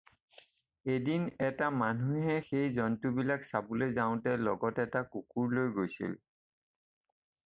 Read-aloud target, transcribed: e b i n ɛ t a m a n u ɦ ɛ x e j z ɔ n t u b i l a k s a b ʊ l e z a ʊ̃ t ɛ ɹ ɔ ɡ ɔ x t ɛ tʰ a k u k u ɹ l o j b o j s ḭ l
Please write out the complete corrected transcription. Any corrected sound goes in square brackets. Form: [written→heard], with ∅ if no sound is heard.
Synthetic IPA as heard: e [b→d] i n ɛ t a m a n u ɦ ɛ x e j z ɔ n t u b i l a k s a b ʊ l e z a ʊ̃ t ɛ [ɹ→l] ɔ ɡ ɔ [x→∅] t ɛ [tʰ→t] a k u k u ɹ l o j [b→ɡ] o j s ḭ l